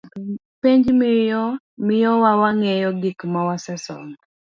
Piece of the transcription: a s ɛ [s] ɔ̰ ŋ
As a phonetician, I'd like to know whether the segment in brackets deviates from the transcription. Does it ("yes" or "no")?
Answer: no